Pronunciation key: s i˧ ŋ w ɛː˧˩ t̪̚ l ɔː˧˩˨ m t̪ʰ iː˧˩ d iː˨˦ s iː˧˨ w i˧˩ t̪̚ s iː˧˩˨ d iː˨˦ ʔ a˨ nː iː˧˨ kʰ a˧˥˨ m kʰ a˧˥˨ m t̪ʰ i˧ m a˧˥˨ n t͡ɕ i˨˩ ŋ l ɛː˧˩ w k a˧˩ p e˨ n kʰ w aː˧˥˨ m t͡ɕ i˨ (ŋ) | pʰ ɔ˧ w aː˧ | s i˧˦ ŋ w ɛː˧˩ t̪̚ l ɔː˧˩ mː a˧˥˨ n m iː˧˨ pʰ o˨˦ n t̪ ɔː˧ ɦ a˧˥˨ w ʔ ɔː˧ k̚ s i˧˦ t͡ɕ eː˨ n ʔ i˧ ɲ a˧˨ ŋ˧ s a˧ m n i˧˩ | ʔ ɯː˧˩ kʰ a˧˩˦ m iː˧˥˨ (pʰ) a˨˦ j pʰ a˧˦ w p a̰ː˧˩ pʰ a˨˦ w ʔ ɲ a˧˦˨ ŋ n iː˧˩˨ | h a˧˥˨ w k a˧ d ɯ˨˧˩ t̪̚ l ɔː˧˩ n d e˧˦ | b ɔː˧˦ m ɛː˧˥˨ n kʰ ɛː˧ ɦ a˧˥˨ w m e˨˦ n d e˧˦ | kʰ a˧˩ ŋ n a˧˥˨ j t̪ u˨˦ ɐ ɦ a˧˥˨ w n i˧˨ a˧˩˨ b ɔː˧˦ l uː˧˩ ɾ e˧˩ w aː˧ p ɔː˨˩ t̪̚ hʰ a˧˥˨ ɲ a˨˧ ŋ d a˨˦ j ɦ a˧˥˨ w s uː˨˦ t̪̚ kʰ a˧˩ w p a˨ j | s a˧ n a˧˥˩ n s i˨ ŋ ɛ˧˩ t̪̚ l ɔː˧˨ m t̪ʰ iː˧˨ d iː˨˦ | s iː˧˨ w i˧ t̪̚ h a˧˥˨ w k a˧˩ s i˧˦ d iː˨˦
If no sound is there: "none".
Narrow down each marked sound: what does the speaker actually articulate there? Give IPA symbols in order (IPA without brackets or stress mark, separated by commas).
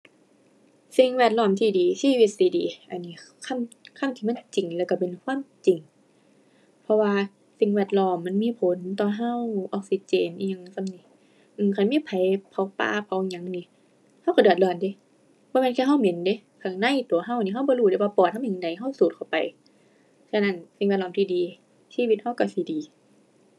ŋ, pʰ